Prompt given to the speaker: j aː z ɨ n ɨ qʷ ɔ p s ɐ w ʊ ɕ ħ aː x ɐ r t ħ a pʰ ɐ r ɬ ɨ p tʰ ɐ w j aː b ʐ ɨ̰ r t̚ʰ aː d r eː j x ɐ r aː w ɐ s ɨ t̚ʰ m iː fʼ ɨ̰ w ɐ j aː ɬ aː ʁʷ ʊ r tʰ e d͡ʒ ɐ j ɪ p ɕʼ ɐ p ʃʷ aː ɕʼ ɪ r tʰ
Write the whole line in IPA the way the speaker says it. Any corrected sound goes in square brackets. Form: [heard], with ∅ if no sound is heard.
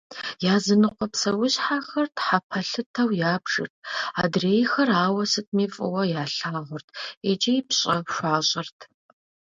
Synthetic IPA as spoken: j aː z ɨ n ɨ qʷ ɔ p s ɐ w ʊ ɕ ħ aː x ɐ r t ħ a pʰ ɐ [∅] ɬ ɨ [∅] tʰ ɐ w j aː b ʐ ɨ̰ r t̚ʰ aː d r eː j x ɐ r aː w ɐ s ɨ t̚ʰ m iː fʼ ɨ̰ w ɐ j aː ɬ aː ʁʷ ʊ r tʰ e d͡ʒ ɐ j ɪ p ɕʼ ɐ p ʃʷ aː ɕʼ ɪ r tʰ